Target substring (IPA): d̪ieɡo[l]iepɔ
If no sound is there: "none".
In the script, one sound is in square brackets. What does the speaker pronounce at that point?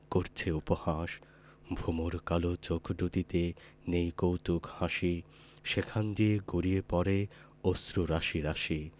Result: ɾ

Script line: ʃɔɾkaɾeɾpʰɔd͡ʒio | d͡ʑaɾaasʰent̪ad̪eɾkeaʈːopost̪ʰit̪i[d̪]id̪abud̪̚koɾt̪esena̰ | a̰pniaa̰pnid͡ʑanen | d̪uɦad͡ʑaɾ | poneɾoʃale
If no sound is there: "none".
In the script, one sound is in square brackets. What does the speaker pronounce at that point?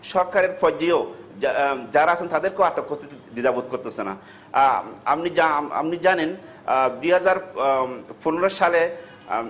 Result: d̪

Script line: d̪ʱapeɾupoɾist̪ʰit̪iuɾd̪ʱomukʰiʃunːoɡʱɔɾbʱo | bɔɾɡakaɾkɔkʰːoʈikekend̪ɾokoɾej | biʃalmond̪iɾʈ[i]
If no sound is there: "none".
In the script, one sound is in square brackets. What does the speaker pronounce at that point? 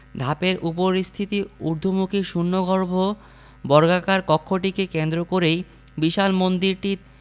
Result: i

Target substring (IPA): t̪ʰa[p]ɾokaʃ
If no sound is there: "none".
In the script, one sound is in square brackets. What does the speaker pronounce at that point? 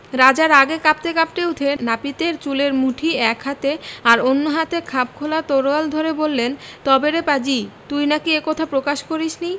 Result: p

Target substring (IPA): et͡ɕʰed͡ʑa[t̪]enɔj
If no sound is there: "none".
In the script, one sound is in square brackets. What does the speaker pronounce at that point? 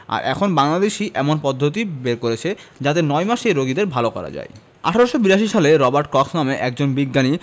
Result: t̪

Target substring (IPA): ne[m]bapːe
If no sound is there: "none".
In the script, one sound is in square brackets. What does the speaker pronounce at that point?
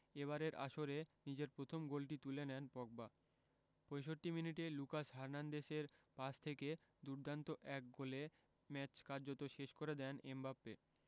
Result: m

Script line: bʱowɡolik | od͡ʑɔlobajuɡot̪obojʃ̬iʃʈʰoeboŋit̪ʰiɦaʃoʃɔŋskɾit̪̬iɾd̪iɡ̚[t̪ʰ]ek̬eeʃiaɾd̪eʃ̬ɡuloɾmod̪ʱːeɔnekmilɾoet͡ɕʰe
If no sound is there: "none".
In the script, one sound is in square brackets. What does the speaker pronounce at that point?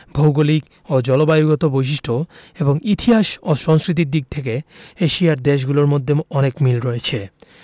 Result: t̪ʰ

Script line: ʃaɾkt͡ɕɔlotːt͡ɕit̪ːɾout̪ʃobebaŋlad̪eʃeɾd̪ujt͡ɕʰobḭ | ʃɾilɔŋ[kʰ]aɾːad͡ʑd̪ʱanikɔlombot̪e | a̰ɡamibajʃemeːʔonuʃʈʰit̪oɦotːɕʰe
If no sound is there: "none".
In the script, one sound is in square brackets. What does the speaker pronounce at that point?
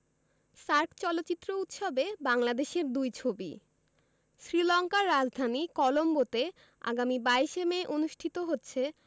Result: k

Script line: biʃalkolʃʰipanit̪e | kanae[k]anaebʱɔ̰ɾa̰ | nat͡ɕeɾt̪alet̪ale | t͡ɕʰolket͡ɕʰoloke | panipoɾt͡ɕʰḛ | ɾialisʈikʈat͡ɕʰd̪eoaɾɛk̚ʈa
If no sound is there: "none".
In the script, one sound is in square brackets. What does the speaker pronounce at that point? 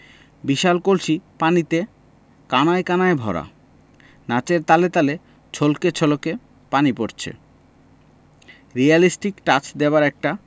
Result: k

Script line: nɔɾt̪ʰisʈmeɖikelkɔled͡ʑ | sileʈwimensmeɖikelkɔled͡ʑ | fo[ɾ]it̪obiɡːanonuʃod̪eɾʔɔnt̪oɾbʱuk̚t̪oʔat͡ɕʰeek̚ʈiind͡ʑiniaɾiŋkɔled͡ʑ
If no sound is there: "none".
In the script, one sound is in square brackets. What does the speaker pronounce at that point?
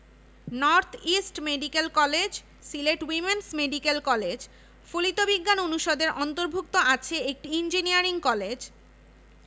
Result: l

